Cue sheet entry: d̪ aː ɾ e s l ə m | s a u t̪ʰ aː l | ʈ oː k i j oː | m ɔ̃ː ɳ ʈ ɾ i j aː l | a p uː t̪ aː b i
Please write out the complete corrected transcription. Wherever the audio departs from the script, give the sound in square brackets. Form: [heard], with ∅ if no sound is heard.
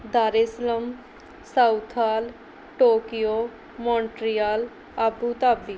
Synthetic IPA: d̪ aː ɾ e s l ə m | s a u t̪ʰ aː l | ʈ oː k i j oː | m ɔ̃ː ɳ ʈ ɾ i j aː l | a [b] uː t̪ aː b i

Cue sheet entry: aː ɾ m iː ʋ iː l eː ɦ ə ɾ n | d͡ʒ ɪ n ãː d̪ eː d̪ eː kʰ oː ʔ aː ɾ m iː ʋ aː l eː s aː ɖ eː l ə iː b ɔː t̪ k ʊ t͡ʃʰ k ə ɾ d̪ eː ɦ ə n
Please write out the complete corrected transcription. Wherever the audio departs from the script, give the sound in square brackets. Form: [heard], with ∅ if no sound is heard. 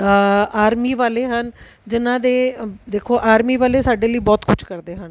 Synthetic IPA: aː ɾ m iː ʋ [aː] l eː ɦ ə [∅] n | d͡ʒ ɪ n ãː d̪ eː d̪ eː kʰ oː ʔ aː ɾ m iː ʋ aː l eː s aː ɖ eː l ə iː b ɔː t̪ k ʊ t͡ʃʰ k ə ɾ d̪ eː ɦ ə n

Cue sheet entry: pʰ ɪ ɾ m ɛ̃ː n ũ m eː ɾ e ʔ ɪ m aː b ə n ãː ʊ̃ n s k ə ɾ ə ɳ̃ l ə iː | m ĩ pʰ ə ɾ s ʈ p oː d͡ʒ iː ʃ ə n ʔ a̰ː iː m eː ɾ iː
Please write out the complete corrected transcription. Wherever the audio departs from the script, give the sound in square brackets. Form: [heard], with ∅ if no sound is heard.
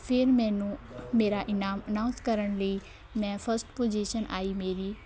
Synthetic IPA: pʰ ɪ ɾ m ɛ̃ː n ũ m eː ɾ [a] ʔ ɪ [n] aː [m] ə n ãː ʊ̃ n s k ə ɾ ə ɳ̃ l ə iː | m [ɛ̃] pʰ ə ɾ s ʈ p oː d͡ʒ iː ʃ ə n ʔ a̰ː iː m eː ɾ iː

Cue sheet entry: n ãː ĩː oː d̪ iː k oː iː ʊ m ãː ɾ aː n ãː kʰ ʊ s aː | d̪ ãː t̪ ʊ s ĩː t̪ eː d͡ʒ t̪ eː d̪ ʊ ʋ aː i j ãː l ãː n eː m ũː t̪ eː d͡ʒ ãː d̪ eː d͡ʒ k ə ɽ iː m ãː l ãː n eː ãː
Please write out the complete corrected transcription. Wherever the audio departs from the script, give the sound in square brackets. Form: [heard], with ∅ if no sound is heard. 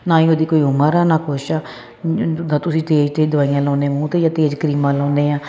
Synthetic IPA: n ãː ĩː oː d̪ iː k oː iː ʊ m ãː ɾ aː n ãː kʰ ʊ [ʃ] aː | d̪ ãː t̪ ʊ s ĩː t̪ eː d͡ʒ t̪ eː d̪ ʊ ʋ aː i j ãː l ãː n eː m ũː t̪ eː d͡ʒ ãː [t̪] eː d͡ʒ k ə [ɾ] iː m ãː l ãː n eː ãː

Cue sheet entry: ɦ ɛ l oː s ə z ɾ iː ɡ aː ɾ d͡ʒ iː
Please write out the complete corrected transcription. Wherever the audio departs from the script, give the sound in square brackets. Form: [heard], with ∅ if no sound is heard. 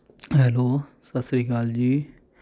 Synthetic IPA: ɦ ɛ l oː s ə [s] ɾ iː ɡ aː [l] d͡ʒ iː

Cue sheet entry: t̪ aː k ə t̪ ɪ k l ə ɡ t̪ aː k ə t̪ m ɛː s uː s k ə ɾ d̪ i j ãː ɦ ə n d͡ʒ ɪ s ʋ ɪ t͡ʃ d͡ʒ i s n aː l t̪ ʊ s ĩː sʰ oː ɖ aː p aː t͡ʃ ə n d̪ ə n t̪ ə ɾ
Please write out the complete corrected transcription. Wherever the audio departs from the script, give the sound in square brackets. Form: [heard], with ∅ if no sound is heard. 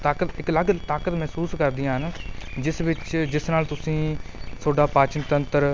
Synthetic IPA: t̪ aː k ə t̪ ɪ k l ə ɡ t̪ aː k ə t̪ m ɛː s uː s k ə ɾ d̪ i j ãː ɦ ə n d͡ʒ ɪ s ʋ ɪ t͡ʃ d͡ʒ [ɪ] s n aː l t̪ ʊ s ĩː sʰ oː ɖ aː p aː t͡ʃ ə n [t̪] ə n t̪ ə ɾ

